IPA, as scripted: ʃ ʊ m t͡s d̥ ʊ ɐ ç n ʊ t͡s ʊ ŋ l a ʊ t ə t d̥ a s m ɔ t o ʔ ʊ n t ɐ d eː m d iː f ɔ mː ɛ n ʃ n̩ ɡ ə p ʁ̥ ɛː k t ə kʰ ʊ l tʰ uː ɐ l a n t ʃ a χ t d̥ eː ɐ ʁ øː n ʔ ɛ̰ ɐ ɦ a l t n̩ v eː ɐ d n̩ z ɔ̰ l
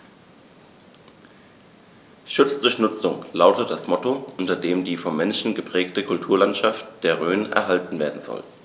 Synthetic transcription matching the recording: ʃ ʊ t͡s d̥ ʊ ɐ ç n ʊ t͡s ʊ ŋ l a ʊ t ə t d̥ a s m ɔ t o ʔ ʊ n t ɐ d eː m d iː f ɔ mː ɛ n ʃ n̩ ɡ ə p ʁ̥ ɛː k t ə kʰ ʊ l tʰ uː ɐ l a n t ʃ a f t d̥ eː ɐ ʁ øː n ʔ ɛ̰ ɐ ɦ a l t n̩ v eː ɐ d n̩ z ɔ̰ l

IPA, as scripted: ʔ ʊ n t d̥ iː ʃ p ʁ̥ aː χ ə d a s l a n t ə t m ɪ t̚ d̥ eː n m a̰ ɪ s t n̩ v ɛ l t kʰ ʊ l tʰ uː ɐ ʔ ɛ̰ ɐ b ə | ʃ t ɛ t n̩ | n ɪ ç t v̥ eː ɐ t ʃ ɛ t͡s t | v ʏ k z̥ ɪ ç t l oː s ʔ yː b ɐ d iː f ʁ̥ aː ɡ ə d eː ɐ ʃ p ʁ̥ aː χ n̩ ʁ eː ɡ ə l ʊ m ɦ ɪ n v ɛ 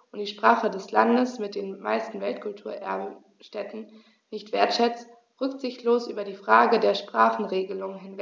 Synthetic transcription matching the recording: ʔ ʊ n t d̥ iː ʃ p ʁ̥ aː χ ə d ɛ s l a n d ə s m ɪ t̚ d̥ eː n m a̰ ɪ s t n̩ v ɛ l t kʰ ʊ l tʰ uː ɐ ʔ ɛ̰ ɐ b ə | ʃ t ɛ t n̩ | n ɪ ç t v̥ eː ɐ t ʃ ɛ t͡s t | ʁ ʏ k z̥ ɪ ç t l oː s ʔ yː b ɐ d iː f ʁ̥ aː ɡ ə d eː ɐ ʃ p ʁ̥ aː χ n̩ ʁ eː ɡ ə l ʊ ŋ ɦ ɪ n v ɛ

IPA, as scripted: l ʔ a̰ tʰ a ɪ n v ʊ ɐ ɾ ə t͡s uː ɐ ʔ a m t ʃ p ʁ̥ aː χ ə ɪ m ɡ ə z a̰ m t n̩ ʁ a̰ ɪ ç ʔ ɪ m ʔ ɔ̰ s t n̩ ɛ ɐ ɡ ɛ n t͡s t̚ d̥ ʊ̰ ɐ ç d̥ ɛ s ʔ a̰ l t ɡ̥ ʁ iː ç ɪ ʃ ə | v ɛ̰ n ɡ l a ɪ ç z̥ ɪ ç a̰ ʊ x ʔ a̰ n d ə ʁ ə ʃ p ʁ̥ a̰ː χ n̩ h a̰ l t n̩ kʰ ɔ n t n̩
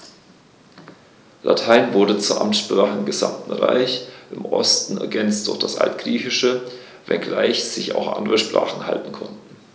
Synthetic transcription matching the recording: l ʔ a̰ tʰ a ɪ n v ʊ ɐ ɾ ə t͡s uː ɐ ʔ a m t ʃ p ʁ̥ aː χ ə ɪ m ɡ ə z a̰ m t n̩ ʁ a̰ ɪ ç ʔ ɪ m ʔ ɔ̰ s t n̩ ɛ ɐ ɡ ɛ n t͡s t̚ d̥ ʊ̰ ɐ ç d̥ a s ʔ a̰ l t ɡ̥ ʁ iː ç ɪ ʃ ə | v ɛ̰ n ɡ l a ɪ ç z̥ ɪ ç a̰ ʊ x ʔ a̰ n d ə ʁ ə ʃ p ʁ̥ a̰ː χ n̩ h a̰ l t n̩ kʰ ɔ n t n̩

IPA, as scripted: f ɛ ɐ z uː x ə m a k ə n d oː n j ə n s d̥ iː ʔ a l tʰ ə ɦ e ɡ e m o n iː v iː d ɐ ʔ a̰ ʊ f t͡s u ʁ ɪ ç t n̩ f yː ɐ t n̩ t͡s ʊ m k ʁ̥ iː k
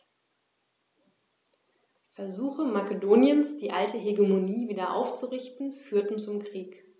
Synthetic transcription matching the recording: f ɛ ɐ z uː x ə m a k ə d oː n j ə n s d̥ iː ʔ a l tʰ ə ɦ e ɡ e m o n iː v iː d ɐ ʔ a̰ ʊ f t͡s u ʁ ɪ ç t n̩ f yː ɐ t n̩ t͡s ʊ m k ʁ̥ iː k

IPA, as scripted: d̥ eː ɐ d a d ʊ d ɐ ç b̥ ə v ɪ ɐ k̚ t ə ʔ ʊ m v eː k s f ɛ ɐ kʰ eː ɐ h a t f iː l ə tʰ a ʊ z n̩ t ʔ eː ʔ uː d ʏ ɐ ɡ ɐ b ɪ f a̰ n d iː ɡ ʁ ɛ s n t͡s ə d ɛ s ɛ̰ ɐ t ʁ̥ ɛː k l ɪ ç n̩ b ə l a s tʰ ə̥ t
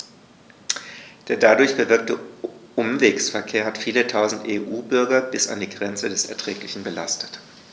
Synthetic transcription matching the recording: d̥ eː ɐ d a d ʊ ɐ ç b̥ ə v ɪ ɐ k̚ t ə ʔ ʊ m v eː k s f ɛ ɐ kʰ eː ɐ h a t f iː l ə tʰ a ʊ z n̩ t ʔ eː ʔ uː b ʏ ɐ ɡ ɐ b ɪ s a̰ n d iː ɡ ʁ ɛ n t͡s ə d ɛ s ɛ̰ ɐ t ʁ̥ ɛː k l ɪ ç n̩ b ə l a s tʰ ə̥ t

